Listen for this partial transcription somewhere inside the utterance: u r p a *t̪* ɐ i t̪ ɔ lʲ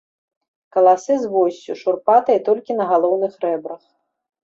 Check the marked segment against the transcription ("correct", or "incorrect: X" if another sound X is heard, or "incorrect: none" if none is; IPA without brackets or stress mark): correct